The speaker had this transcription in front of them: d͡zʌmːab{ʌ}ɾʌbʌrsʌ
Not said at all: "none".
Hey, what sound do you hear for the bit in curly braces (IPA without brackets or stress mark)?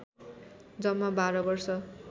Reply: a